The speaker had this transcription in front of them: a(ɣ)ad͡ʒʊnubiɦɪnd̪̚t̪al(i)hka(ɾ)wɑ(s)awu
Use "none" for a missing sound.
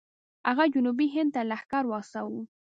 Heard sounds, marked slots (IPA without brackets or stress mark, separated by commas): ɣ, a, ɾ, s